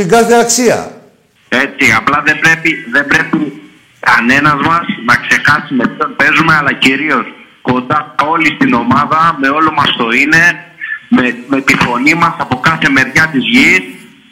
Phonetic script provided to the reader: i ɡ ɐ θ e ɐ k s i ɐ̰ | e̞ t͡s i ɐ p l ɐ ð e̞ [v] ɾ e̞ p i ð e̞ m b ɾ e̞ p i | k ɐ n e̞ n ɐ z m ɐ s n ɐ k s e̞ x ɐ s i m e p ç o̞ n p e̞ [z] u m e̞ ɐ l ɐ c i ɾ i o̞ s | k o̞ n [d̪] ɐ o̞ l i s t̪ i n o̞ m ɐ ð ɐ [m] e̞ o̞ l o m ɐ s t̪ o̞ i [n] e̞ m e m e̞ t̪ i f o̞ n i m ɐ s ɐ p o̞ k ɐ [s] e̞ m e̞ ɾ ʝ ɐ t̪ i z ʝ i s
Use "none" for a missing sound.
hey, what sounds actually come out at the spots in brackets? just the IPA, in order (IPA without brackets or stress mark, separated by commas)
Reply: b, z, d̪, m, n, θ